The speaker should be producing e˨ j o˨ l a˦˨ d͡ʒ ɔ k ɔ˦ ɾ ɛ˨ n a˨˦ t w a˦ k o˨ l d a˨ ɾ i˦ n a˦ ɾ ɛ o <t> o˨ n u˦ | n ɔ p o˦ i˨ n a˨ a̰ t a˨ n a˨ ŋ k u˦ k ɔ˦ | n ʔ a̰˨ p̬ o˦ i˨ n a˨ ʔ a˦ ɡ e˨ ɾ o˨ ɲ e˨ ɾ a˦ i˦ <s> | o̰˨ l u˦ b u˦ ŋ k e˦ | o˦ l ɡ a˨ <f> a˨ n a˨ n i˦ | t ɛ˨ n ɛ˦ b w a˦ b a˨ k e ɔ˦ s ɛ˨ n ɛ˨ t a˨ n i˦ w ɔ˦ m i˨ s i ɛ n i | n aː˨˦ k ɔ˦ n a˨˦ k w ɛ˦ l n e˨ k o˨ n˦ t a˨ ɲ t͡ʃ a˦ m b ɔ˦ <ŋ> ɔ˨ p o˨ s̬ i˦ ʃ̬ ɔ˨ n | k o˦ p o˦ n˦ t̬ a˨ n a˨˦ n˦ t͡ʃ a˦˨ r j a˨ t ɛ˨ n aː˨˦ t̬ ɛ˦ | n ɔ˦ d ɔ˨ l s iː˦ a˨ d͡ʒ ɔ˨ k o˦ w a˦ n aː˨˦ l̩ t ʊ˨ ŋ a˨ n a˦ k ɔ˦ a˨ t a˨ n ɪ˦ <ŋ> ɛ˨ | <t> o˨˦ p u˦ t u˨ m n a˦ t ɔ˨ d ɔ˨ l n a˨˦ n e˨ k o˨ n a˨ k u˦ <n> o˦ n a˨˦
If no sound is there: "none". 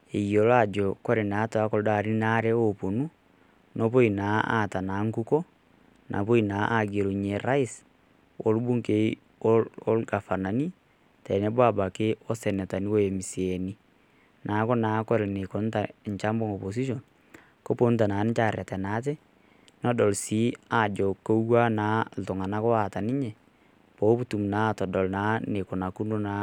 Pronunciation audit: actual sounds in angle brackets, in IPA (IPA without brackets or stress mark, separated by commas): p, s, f, ŋ, ɲ, p, n